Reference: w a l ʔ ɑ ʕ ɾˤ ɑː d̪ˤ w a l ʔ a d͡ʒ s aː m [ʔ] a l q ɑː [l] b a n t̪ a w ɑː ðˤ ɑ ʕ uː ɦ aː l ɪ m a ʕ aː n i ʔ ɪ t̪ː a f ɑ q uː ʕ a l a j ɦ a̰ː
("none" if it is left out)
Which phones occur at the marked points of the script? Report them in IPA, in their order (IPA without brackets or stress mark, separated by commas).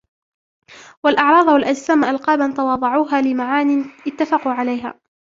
ʔ, none